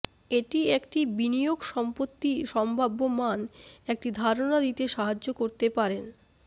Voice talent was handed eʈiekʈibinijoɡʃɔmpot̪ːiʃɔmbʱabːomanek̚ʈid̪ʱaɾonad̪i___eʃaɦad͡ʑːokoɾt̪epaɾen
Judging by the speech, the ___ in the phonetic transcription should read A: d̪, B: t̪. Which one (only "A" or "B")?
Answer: B